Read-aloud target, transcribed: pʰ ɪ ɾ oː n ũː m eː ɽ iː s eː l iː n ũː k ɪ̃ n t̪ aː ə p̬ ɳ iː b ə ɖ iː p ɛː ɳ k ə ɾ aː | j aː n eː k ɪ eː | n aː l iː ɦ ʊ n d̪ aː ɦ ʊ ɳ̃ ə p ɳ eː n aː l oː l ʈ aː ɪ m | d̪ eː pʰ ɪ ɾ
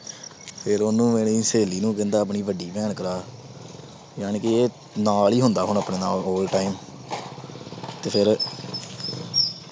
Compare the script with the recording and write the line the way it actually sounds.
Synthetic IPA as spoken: pʰ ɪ ɾ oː n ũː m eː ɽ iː s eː l iː n ũː k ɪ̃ n d̪ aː ə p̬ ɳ iː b ə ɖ iː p ɛː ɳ k ə ɾ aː | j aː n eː k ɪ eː | n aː l iː ɦ ʊ n d̪ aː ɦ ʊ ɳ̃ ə p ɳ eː n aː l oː l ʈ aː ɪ m | t̪ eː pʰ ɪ ɾ

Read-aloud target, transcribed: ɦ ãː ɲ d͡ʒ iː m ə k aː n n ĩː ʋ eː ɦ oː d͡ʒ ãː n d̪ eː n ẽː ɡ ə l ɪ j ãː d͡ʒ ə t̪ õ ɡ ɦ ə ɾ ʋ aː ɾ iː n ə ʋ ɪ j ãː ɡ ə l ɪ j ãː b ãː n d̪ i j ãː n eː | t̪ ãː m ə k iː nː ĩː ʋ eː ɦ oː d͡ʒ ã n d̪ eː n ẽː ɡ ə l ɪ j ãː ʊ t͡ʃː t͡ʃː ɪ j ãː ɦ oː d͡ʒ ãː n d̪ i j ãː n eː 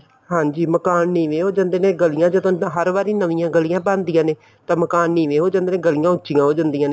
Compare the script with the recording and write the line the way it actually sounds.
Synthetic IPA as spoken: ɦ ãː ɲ d͡ʒ iː m ə k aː n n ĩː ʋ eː ɦ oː d͡ʒ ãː n d̪ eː n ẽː ɡ ə l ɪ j ãː d͡ʒ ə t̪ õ ɦ ə ɾ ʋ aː ɾ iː n ə ʋ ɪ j ãː ɡ ə l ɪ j ãː b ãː n d̪ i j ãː n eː | t̪ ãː m ə k aː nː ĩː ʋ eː ɦ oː d͡ʒ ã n d̪ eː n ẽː ɡ ə l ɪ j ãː ʊ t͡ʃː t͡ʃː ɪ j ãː ɦ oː d͡ʒ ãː n d̪ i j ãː n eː

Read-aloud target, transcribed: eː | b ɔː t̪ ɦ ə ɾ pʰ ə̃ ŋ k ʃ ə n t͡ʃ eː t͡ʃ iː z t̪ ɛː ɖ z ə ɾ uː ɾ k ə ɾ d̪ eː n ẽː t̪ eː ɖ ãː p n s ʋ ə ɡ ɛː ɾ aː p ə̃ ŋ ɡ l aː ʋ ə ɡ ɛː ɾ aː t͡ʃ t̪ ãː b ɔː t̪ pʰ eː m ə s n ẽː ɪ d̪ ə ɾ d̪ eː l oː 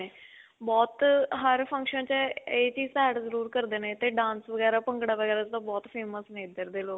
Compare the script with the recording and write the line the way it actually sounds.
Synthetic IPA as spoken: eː | b ɔː t̪ ɦ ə ɾ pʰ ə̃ ŋ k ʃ ə n t͡ʃ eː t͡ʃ iː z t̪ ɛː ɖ z ə ɾ uː ɾ k ə ɾ d̪ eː n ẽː t̪ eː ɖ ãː n s ʋ ə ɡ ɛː ɾ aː p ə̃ ŋ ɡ ɽ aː ʋ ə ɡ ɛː ɾ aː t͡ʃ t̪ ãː b ɔː t̪ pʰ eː m ə s n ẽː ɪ d̪ ə ɾ d̪ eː l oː

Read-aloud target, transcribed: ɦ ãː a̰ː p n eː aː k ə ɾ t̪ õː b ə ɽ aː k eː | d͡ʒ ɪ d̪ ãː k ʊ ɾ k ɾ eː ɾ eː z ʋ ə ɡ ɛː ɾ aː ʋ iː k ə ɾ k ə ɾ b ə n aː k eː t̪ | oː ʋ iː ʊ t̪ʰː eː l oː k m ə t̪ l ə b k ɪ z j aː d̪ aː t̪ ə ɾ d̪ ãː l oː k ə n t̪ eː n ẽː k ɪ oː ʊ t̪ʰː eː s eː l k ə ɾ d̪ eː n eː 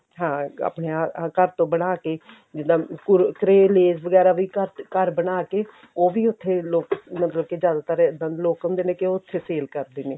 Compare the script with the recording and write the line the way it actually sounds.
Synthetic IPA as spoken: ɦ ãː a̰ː p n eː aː k ə ɾ t̪ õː b ə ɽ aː k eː | d͡ʒ ɪ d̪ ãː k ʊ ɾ k ɾ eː l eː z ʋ ə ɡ ɛː ɾ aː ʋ iː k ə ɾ k ə ɾ b ə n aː k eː | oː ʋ iː ʊ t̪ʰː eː l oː k m ə t̪ l ə b k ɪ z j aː d̪ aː t̪ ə ɾ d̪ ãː l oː k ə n d̪ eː n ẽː k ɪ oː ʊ t̪ʰː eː s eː l k ə ɾ d̪ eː n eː

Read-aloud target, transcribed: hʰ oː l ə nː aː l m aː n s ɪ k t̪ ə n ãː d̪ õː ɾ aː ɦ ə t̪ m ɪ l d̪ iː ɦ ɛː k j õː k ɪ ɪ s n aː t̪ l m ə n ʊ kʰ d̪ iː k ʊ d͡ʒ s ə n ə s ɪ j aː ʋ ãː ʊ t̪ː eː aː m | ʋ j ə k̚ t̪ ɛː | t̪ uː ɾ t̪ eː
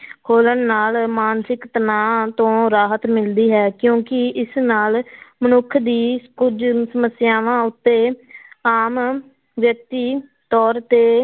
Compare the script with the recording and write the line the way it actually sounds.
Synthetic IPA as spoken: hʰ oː l ə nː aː l m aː n s ɪ k t̪ ə n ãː t̪ õː ɾ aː ɦ ə t̪ m ɪ l d̪ iː ɦ ɛː k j õː k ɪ ɪ s n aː l m ə n ʊ kʰ d̪ iː k ʊ d͡ʒ s ə m ə s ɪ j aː ʋ ãː ʊ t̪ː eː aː m | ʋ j ə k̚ t̪ iː | t̪ ɔː ɾ t̪ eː

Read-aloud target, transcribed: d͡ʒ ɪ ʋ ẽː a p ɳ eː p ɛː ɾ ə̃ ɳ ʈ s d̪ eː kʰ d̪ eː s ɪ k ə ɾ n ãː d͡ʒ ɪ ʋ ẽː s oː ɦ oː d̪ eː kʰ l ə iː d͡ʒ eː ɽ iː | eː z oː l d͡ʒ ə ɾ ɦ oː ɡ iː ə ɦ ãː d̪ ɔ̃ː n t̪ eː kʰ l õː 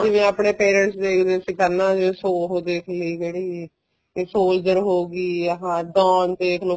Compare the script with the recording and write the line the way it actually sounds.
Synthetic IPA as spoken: d͡ʒ ɪ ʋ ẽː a p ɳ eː p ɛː ɾ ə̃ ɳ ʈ s d̪ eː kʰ d̪ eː s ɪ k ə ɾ n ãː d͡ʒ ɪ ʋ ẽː s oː ɦ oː d̪ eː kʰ l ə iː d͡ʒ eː ɽ iː | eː s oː l d͡ʒ ə ɾ ɦ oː ɡ iː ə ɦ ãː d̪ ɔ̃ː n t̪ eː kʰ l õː

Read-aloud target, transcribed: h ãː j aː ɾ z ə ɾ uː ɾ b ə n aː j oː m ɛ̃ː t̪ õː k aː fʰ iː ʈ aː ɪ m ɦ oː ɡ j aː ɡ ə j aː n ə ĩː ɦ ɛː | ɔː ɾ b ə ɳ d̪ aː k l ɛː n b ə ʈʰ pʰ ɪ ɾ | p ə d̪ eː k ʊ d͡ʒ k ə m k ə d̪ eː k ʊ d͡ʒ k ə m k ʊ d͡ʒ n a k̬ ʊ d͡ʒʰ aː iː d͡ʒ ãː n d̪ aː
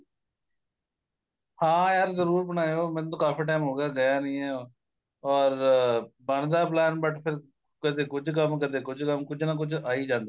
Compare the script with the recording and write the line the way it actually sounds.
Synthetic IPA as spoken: h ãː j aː ɾ z ə ɾ uː ɾ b ə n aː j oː m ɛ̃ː t̪ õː k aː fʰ iː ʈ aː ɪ m ɦ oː ɡ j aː ɡ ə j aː n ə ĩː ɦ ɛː | ɔː ɾ b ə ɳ d̪ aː p l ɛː n b ə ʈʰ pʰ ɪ ɾ | k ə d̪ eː k ʊ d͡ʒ k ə m k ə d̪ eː k ʊ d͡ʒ k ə m k ʊ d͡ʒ n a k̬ ʊ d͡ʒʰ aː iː d͡ʒ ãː n d̪ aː

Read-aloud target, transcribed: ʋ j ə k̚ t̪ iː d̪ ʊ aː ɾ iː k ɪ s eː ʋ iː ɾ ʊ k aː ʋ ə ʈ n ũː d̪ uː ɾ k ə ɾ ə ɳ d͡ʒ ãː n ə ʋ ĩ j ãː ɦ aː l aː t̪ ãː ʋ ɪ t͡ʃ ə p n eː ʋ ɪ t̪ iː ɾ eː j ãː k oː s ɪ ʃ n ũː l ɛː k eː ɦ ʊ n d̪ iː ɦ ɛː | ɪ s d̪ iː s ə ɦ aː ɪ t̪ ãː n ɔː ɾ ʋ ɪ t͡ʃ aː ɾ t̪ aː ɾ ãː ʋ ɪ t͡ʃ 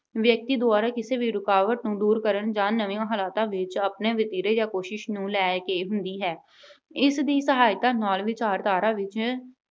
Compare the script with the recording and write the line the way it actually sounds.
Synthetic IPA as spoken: ʋ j ə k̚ t̪ iː d̪ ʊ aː ɾ aː k ɪ s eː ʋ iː ɾ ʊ k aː ʋ ə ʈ n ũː d̪ uː ɾ k ə ɾ ə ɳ d͡ʒ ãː n ə ʋ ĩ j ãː ɦ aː l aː t̪ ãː ʋ ɪ t͡ʃ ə p n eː ʋ ɪ t̪ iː ɾ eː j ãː k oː ʃ ɪ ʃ n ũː l ɛː k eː ɦ ʊ n d̪ iː ɦ ɛː | ɪ s d̪ iː s ə ɦ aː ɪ t̪ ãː n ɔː l ʋ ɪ t͡ʃ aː ɾ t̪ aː ɾ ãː ʋ ɪ t͡ʃ

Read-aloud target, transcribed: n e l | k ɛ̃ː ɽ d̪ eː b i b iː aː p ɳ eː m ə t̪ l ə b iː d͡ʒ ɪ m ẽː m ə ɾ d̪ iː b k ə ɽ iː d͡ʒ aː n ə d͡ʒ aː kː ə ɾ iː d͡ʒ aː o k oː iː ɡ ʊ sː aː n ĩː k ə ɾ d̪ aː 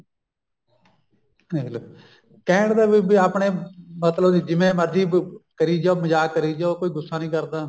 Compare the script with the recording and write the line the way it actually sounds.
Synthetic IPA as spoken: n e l | k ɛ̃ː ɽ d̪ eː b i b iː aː p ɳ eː m ə t̪ l ə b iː d͡ʒ ɪ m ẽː m ə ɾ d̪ iː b k ə ɾ iː d͡ʒ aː m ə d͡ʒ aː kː ə ɾ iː d͡ʒ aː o k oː iː ɡ ʊ sː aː n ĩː k ə ɾ d̪ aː

